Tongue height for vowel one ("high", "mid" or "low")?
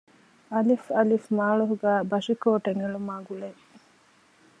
low